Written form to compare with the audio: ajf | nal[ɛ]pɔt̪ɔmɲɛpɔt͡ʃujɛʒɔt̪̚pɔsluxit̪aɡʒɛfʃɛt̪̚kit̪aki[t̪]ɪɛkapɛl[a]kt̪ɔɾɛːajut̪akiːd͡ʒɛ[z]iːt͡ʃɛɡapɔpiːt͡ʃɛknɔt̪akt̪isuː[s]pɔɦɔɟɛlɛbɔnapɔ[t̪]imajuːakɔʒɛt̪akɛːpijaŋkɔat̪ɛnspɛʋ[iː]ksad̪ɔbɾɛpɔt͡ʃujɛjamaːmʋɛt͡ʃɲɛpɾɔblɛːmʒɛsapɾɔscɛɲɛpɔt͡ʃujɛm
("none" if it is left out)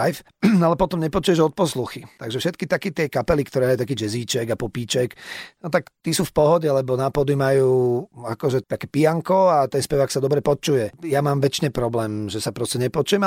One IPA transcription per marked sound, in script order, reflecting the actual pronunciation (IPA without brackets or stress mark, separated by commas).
ɛ, t̪, i, z, f, d̪, aː